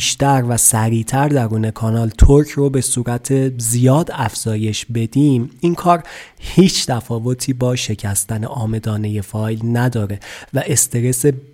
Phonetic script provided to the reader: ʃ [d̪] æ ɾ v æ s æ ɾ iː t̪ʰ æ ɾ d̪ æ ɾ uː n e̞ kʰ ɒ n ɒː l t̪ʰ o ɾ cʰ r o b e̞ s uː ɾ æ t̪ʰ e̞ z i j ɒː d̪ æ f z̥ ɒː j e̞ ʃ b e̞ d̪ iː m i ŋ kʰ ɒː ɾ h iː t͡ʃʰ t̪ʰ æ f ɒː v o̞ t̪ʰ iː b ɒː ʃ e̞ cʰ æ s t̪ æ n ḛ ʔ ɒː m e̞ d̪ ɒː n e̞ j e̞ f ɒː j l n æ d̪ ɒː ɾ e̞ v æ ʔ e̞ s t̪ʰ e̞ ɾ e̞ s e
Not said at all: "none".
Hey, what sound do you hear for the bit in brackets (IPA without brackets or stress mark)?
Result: t̪